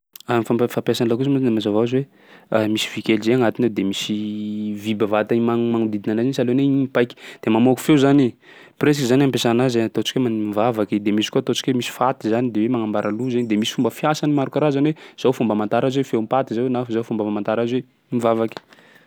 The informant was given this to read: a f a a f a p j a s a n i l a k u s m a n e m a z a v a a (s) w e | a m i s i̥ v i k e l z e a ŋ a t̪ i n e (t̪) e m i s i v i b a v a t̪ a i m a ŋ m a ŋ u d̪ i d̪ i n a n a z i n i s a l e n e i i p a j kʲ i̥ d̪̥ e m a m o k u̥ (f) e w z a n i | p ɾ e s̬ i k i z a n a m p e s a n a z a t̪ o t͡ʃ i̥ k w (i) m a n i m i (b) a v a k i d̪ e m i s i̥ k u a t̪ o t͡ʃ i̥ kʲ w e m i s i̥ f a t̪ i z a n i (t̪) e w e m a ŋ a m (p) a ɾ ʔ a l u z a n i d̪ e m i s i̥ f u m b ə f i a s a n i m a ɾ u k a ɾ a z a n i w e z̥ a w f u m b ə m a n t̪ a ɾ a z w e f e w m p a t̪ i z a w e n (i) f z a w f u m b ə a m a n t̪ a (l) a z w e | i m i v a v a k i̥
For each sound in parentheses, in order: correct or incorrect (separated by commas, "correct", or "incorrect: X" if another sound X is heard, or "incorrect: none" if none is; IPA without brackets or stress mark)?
incorrect: z, incorrect: d̪, correct, incorrect: e, incorrect: v, incorrect: d̪, incorrect: b, incorrect: a, incorrect: ɾ